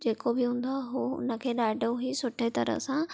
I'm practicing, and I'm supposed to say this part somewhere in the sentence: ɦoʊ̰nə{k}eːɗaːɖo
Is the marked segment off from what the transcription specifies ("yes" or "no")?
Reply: yes